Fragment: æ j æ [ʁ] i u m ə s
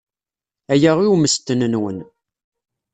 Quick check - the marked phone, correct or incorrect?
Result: correct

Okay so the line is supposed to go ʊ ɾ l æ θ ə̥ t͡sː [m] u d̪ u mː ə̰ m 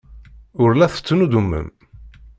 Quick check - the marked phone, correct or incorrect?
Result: incorrect: n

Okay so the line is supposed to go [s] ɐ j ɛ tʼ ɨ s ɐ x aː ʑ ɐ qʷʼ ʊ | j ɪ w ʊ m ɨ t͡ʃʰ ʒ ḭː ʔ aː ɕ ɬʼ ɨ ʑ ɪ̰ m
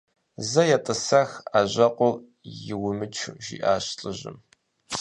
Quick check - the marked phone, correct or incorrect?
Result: incorrect: z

